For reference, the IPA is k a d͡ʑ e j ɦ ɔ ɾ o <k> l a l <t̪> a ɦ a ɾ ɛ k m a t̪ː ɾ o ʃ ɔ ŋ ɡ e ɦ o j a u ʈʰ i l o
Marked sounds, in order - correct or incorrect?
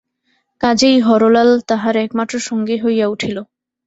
incorrect, correct

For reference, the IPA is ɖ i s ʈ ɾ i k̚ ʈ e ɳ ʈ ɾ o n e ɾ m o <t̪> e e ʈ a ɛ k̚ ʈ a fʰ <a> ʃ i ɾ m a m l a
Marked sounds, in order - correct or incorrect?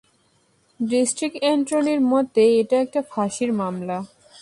correct, correct

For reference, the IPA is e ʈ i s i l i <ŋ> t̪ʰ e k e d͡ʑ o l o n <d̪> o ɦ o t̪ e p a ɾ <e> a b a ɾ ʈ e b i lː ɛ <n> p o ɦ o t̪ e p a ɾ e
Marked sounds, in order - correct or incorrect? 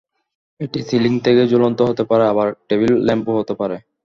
correct, incorrect, correct, incorrect

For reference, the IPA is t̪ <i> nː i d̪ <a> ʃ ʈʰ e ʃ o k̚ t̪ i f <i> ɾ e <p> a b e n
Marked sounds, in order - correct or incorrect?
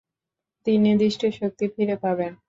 correct, incorrect, correct, correct

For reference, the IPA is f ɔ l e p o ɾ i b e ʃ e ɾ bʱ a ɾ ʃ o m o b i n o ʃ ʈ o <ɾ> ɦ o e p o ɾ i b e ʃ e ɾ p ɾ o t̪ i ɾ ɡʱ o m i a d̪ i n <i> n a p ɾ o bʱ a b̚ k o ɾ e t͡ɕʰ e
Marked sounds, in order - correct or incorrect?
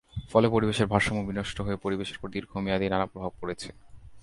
incorrect, incorrect

